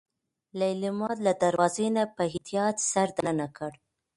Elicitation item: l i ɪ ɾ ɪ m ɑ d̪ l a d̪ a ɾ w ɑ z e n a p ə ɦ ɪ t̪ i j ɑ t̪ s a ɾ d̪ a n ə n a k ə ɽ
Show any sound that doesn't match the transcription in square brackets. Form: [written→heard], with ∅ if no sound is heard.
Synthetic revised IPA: l [i→a] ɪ [ɾ→l] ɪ m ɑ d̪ l a d̪ a ɾ w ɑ z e n a p ə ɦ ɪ t̪ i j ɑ t̪ s a ɾ d̪ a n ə n a k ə ɽ